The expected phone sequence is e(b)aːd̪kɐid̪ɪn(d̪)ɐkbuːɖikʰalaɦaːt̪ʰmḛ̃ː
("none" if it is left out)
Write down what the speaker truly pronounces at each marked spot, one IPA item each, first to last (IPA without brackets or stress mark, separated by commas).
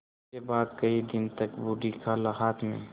b, t̪